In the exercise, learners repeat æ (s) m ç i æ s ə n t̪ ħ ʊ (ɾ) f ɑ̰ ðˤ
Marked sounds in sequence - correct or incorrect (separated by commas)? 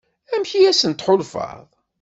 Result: incorrect, incorrect